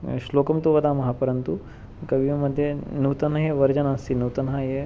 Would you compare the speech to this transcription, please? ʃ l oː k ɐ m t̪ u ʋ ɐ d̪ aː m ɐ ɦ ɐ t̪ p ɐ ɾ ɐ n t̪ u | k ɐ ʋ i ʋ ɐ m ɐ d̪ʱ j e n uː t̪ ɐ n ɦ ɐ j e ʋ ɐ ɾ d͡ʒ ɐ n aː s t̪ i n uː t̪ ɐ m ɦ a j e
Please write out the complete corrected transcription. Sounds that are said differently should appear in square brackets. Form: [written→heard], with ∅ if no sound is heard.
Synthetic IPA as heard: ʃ l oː k ɐ m t̪ u ʋ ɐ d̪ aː m ɐ ɦ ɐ [t̪→∅] p ɐ ɾ ɐ n t̪ u | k ɐ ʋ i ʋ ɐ m ɐ d̪ʱ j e n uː t̪ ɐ n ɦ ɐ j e ʋ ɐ ɾ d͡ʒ ɐ n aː s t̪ i n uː t̪ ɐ [m→n] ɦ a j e